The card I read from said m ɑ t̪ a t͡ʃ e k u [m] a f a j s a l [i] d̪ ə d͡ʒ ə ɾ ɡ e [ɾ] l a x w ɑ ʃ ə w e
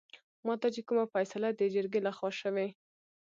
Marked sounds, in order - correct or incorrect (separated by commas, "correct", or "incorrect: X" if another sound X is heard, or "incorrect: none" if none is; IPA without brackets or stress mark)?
correct, incorrect: a, incorrect: none